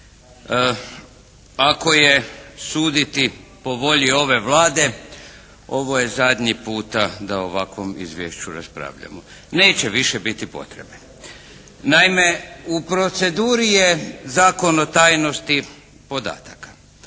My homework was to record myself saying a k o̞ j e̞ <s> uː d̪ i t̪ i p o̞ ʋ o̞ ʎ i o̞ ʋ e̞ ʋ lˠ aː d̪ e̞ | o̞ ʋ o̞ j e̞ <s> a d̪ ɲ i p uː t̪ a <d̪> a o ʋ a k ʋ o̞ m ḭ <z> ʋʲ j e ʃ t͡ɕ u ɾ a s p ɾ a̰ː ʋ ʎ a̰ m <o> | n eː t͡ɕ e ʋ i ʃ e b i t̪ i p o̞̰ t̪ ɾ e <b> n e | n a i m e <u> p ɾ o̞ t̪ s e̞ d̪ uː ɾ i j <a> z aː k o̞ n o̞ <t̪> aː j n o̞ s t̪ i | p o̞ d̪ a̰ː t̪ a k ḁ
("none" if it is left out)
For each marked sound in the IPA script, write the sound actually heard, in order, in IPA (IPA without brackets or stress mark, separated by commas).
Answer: s, z, d̪, z, o, b, u, e, t̪